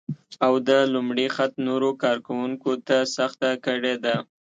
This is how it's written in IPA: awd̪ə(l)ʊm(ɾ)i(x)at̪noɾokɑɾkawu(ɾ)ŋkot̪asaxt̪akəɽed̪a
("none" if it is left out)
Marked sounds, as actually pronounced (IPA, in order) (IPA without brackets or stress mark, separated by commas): l, ɽ, x, none